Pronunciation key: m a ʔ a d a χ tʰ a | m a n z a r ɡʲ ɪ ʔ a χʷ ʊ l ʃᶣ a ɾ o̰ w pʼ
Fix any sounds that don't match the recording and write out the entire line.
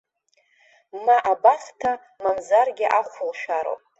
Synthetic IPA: m a ʔ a b a χ tʰ a | m a n z a r ɡʲ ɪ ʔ a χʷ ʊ l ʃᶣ a ɾ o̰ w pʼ

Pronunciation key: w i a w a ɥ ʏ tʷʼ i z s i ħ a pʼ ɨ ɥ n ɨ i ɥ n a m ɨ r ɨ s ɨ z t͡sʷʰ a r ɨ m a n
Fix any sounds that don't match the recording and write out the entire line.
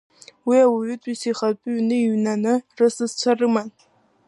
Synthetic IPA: w i a w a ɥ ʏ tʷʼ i s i χ a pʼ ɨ ɥ n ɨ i ɥ n a n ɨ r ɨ s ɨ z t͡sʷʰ a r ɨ m a n

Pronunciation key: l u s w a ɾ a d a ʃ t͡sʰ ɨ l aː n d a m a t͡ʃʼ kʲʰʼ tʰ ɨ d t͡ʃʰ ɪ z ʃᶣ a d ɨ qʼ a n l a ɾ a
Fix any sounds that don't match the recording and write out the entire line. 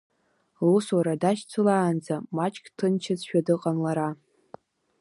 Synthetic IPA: l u s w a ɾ a d a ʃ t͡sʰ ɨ l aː n d͡z a m a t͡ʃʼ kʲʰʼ tʰ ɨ n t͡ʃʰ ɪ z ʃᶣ a d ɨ qʼ a n l a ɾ a

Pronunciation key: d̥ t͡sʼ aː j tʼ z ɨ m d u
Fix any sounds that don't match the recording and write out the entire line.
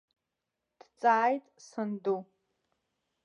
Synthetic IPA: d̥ t͡sʼ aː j tʼ s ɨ n d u

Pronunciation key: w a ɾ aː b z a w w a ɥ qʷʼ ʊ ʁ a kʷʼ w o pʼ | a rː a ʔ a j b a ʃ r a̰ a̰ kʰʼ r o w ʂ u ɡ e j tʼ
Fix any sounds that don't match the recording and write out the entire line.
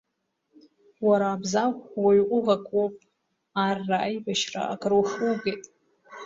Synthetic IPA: w a ɾ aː b z a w w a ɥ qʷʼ ʊ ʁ a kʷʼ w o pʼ | a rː a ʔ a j b a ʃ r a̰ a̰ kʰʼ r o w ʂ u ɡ e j tʼ

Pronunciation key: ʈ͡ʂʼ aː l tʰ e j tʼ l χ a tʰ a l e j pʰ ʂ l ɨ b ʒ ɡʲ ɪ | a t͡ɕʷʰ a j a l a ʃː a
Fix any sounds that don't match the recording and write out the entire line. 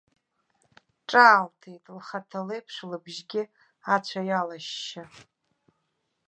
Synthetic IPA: ʈ͡ʂʼ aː l tʰ e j tʼ l χ a tʰ a l e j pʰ ʂ l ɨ b ʒ ɡʲ ɪ | a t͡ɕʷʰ a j a l a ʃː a

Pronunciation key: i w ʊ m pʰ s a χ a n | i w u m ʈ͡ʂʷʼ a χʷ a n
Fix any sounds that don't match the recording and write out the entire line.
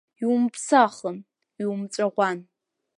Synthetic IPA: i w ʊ m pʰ s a χ ə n | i w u m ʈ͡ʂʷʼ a ʁʷ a n

